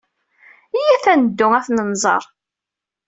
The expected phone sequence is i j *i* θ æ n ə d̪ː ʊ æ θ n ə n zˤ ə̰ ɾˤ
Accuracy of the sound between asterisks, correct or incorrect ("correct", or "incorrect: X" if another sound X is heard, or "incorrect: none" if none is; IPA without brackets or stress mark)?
incorrect: æ